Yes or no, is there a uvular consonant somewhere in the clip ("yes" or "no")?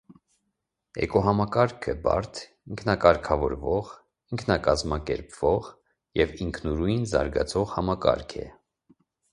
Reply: yes